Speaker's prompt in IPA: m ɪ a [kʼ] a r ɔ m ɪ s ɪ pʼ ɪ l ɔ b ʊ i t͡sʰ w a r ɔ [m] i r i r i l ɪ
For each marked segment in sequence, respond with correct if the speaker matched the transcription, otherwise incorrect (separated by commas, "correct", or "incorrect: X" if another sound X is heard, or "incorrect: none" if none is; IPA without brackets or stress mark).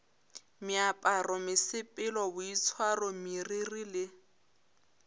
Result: incorrect: pʼ, correct